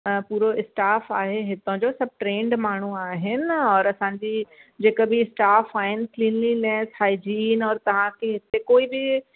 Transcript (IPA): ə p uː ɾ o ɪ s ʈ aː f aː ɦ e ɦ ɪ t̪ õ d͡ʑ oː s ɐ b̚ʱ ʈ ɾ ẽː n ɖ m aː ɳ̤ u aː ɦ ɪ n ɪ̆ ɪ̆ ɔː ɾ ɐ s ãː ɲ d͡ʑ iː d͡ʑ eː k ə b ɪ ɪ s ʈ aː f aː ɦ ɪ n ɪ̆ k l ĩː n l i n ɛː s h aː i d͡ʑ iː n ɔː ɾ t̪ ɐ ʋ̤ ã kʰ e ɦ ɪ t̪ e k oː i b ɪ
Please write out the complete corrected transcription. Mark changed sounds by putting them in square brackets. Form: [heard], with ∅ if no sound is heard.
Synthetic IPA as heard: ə p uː ɾ o ɪ s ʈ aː f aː ɦ e ɦ ɪ t̪ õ d͡ʑ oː s ɐ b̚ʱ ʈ ɾ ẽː [ɳ] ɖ m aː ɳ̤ u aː ɦ ɪ n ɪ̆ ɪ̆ ɔː ɾ ɐ s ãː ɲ d͡ʑ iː d͡ʑ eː k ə b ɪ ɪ s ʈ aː f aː ɦ ɪ n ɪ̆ k l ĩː n l i n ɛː s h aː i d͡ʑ iː n ɔː ɾ t̪ ɐ ʋ̤ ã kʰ e ɦ ɪ t̪ e k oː i b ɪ